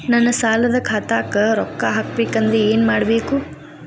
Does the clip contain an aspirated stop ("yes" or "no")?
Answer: yes